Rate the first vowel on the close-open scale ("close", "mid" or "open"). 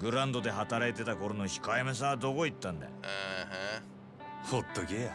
close